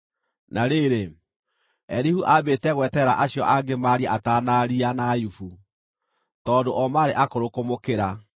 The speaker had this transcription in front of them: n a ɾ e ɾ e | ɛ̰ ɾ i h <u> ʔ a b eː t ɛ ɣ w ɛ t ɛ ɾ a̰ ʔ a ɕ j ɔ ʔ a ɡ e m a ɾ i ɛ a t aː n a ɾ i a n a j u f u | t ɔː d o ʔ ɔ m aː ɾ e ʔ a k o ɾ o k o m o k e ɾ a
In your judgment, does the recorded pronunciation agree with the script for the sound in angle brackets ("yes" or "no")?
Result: yes